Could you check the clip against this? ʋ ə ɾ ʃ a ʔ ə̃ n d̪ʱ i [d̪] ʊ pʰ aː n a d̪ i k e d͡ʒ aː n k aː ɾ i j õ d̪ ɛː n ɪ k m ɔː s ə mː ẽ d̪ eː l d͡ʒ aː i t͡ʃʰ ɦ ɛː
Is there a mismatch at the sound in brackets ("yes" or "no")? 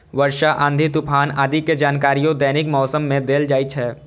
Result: yes